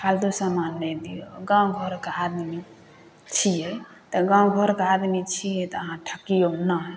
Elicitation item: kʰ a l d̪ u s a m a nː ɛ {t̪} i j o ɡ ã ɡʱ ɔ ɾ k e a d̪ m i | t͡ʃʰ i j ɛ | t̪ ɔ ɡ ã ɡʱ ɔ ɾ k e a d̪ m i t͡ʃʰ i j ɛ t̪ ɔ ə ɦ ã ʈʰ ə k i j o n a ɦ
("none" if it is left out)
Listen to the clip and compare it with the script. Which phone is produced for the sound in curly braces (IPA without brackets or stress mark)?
d̪